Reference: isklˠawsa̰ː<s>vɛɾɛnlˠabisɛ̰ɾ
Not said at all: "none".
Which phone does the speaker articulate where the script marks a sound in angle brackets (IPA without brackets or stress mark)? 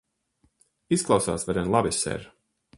s